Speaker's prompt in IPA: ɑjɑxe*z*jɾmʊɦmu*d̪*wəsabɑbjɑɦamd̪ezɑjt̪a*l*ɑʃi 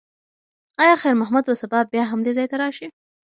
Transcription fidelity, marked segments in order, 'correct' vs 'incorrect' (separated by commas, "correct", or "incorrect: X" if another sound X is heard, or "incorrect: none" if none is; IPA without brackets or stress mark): incorrect: none, correct, incorrect: ɾ